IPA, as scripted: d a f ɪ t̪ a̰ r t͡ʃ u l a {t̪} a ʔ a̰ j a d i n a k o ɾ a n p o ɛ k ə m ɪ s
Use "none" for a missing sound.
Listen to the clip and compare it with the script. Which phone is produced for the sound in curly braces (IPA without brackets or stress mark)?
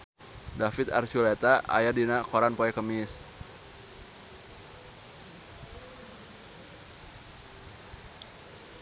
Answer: t̪